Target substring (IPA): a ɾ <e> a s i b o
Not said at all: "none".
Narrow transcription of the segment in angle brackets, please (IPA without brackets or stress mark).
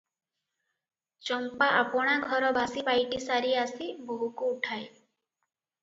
i